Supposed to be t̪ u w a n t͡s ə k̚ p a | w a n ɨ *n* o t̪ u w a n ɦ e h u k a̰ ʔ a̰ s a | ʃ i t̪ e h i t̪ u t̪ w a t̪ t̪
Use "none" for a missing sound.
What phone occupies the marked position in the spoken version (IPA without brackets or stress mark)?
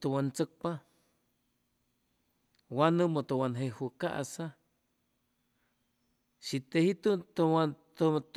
m